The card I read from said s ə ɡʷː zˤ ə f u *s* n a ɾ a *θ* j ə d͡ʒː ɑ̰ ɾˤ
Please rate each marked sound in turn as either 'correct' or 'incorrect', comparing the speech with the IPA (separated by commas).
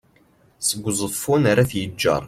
incorrect, correct